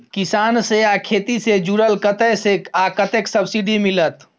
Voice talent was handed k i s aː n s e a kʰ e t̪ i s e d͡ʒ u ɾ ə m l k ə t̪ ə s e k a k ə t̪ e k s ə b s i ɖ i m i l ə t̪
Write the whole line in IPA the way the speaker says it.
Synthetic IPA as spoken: k i s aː n s e a kʰ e t̪ i s e d͡ʒ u ɾ ə l k ə t̪ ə s e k a k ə t̪ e k s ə b s i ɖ i m i l ə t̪